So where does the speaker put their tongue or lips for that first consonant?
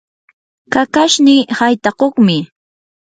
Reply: velum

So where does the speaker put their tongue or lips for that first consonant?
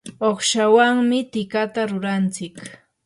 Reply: uvula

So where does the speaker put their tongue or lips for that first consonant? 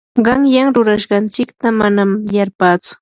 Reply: uvula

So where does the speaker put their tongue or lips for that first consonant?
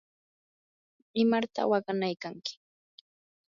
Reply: lips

